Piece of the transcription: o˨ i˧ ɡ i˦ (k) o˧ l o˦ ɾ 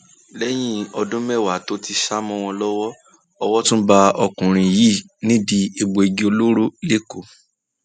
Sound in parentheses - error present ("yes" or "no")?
yes